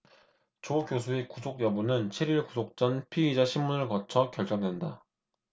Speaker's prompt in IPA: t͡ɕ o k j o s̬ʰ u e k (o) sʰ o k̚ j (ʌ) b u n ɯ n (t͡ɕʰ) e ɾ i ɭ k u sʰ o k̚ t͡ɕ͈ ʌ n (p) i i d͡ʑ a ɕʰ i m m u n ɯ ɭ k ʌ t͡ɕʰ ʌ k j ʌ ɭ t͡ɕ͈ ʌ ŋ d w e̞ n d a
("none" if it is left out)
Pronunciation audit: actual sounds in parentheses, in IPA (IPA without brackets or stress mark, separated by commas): u, ʌ, t͡ɕʰ, pʰ